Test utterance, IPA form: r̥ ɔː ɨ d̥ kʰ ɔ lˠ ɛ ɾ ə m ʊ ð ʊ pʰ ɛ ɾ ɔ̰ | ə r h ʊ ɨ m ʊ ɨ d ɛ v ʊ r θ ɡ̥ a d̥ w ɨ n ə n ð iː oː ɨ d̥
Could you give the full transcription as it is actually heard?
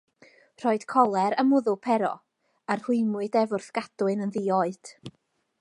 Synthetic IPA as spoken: r̥ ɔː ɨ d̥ kʰ ɔ lˠ ɛ ɾ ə m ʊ ð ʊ pʰ ɛ ɾ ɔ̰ | a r h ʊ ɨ m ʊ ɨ d ɛ v ʊ r θ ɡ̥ a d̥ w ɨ n ə n ð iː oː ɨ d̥